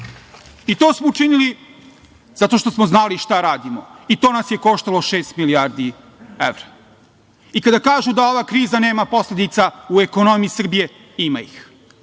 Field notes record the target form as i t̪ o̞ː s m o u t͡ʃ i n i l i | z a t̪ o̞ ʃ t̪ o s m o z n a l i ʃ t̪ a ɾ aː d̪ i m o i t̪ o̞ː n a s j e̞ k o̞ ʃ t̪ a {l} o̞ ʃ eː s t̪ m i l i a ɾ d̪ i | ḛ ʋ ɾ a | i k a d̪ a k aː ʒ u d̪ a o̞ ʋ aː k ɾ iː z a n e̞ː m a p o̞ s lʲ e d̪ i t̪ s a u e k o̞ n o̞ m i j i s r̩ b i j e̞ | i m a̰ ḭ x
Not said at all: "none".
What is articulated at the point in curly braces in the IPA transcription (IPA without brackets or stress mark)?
l